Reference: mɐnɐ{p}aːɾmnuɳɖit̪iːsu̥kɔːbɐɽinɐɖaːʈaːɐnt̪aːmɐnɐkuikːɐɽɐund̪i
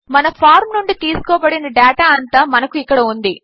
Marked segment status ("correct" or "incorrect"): incorrect